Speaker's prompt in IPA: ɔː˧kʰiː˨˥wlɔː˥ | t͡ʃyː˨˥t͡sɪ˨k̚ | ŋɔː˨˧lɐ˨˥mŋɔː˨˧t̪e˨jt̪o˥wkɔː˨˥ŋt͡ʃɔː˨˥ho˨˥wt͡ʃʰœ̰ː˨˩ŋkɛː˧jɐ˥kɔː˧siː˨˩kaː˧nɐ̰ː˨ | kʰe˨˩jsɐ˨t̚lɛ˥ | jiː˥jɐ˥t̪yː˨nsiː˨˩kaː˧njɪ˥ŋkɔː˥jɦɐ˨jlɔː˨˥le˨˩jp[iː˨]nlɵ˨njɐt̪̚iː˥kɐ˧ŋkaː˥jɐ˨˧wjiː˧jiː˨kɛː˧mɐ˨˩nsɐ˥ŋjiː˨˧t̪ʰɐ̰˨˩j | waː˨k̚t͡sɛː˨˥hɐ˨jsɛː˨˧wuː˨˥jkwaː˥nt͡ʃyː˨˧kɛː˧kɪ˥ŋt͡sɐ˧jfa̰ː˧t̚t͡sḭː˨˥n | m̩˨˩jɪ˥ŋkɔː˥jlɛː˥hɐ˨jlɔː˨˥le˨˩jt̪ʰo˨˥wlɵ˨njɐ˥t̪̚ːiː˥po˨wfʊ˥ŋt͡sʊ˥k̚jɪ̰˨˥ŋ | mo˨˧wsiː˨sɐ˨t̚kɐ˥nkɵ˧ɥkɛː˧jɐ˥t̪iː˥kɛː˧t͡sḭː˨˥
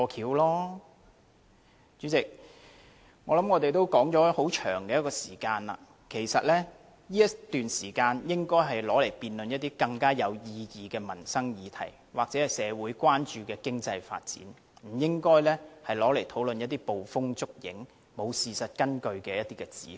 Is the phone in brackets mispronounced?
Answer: no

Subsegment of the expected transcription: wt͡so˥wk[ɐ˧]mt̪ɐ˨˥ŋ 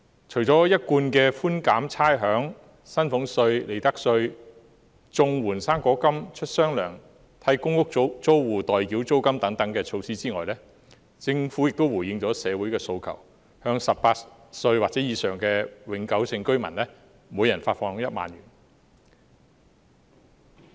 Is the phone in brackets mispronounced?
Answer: yes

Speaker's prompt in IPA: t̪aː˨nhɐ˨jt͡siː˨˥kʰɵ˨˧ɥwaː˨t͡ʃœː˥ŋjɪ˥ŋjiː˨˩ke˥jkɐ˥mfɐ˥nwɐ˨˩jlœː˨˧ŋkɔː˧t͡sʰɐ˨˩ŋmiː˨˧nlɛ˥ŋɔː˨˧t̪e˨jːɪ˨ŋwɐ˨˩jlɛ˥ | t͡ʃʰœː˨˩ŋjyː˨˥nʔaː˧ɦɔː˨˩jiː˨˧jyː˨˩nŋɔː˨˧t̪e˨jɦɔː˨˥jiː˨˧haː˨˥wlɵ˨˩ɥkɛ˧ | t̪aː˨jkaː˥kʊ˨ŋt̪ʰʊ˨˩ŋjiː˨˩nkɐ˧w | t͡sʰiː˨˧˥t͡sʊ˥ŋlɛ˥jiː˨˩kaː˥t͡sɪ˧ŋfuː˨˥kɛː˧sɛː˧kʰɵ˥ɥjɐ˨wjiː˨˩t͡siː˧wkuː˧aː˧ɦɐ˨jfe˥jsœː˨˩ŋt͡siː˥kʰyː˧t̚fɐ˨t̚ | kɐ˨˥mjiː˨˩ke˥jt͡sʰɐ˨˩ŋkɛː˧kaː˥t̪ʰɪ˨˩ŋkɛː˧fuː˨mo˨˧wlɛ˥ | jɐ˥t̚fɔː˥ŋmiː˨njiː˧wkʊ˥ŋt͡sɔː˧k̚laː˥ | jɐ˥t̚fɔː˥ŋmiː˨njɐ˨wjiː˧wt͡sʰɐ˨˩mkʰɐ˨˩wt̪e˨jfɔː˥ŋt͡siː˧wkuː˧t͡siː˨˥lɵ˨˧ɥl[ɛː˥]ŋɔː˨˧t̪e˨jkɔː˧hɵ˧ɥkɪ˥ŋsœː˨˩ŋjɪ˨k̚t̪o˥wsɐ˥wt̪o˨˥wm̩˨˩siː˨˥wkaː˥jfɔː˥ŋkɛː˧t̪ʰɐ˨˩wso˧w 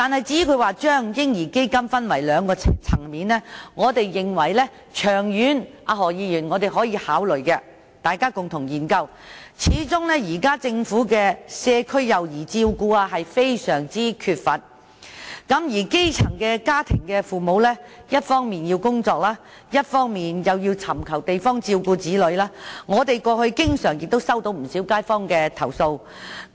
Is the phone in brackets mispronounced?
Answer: yes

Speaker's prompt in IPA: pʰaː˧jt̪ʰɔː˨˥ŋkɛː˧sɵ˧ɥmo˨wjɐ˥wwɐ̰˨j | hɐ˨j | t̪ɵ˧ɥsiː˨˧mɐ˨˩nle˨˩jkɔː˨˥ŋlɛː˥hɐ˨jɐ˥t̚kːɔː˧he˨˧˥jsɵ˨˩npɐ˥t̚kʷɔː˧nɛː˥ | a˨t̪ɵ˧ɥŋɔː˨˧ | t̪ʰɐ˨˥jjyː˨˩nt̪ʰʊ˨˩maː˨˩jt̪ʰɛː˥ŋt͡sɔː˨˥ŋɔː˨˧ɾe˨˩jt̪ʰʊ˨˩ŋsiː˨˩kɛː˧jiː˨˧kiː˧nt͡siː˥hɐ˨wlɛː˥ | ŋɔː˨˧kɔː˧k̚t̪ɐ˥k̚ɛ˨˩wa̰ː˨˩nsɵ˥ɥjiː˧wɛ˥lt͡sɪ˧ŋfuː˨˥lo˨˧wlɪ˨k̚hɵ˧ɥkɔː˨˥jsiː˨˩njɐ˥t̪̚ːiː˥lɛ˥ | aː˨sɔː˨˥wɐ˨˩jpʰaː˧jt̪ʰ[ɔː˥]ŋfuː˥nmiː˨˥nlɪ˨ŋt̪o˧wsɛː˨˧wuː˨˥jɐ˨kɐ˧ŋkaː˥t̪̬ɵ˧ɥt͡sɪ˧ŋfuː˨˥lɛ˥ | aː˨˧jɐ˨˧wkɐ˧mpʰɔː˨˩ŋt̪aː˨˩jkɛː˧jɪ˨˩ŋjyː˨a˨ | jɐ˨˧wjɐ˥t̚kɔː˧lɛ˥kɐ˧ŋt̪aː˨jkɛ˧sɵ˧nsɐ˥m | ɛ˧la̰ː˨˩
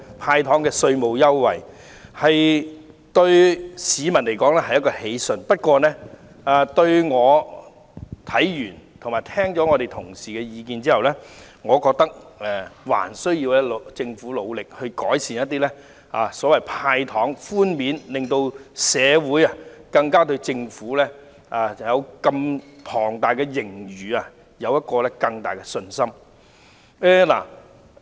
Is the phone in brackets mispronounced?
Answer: yes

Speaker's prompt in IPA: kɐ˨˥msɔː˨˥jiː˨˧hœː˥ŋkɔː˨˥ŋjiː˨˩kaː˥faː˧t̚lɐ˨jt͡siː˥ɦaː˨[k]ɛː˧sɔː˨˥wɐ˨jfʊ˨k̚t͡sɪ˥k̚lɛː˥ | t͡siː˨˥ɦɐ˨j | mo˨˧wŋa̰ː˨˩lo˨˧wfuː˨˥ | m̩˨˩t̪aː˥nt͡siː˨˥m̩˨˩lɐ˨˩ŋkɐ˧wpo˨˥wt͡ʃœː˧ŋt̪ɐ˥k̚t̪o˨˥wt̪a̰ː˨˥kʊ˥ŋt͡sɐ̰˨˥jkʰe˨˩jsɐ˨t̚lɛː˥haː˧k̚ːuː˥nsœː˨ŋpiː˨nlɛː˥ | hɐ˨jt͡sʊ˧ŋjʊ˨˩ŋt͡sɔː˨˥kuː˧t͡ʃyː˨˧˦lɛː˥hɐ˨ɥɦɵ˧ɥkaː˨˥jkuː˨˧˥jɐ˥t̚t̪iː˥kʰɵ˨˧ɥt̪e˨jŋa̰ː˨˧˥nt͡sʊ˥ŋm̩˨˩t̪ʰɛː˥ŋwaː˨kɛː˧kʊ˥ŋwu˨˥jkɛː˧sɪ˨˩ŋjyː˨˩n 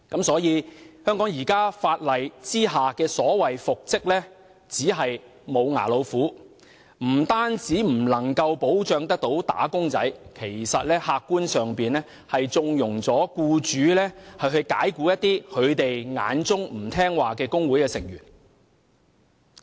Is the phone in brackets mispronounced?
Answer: no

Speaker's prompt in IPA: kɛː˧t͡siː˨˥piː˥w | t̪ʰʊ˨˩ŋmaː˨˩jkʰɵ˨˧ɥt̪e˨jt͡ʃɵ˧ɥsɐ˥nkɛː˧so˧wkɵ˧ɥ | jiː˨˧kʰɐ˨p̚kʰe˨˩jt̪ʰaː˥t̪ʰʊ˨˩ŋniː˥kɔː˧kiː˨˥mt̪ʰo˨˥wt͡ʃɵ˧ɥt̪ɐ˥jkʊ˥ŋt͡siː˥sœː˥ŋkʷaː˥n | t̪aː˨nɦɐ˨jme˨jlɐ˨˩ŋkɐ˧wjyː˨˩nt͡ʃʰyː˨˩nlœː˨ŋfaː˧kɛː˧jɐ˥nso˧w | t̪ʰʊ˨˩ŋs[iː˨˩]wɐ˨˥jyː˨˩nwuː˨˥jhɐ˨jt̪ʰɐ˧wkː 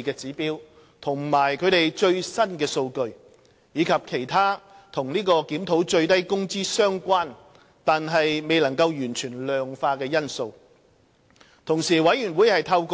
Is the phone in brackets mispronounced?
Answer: no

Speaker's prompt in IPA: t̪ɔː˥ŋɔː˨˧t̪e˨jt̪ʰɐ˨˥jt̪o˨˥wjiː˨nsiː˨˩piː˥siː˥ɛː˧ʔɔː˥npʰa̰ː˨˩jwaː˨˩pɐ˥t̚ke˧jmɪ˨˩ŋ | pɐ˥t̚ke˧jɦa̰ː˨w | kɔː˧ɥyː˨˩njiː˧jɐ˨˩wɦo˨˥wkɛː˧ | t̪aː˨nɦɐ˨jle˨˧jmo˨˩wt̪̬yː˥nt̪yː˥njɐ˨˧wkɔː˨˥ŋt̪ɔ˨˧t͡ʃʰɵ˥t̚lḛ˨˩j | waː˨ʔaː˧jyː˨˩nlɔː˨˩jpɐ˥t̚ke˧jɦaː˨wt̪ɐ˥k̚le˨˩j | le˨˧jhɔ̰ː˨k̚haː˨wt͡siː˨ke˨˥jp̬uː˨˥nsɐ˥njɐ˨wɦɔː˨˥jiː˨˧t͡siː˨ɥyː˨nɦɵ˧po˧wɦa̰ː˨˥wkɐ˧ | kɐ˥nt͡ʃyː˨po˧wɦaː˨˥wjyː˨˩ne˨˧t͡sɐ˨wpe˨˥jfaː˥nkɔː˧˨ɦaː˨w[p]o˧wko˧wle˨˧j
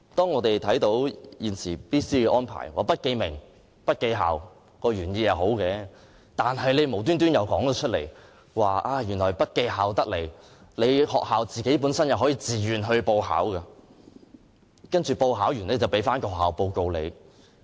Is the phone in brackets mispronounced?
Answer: no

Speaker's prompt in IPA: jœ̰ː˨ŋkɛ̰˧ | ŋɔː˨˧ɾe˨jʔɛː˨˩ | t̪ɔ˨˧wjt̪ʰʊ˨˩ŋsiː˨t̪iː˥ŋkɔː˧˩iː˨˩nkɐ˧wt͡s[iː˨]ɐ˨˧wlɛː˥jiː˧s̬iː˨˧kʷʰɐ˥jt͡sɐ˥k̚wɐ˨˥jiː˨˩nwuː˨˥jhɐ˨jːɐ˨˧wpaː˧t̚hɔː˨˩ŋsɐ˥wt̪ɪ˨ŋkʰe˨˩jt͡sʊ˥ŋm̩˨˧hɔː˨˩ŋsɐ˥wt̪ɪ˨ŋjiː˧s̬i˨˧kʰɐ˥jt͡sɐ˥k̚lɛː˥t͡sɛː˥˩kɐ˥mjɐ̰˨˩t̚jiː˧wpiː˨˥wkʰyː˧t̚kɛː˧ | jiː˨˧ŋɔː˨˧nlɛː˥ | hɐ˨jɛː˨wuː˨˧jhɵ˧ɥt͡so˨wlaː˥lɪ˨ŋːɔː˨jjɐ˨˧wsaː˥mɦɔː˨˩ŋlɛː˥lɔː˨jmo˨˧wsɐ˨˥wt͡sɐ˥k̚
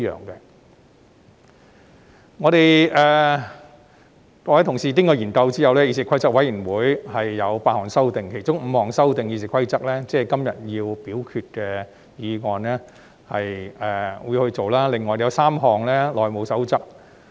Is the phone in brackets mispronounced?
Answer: yes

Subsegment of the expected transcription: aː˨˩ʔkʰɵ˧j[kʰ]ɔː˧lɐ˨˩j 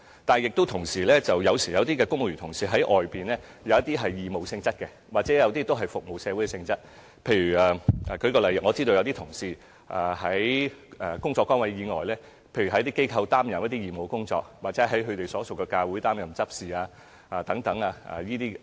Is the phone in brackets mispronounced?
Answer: yes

